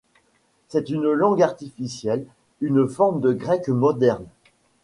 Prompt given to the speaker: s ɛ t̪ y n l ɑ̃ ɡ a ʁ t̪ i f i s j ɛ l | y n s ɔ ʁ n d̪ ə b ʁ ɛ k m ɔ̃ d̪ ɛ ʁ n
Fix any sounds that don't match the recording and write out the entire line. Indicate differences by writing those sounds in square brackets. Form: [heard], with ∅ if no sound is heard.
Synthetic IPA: s ɛ t̪ y n l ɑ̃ ɡ a ʁ t̪ i f i s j ɛ l | y n [f] ɔ ʁ [m] d̪ ə [ɡ] ʁ ɛ k m [ɔ] d̪ ɛ ʁ n